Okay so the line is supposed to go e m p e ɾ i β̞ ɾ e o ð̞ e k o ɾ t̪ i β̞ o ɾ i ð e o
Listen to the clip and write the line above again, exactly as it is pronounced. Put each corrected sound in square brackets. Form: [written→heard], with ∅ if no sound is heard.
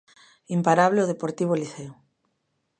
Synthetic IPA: [e→i] m p [e→a] ɾ [i→a] β̞ [ɾ→l] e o ð̞ e [k→p] o ɾ t̪ i β̞ o [ɾ→l] i [ð→θ] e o